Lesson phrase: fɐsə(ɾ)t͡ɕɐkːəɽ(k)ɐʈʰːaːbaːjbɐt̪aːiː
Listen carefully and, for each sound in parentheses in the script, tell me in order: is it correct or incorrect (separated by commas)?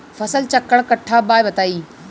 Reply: incorrect, correct